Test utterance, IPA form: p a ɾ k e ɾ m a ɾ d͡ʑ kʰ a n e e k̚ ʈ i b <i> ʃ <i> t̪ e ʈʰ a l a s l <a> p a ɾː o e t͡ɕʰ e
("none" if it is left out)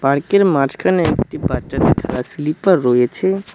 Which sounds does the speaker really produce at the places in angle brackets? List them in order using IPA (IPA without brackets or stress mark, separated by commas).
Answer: a, a, i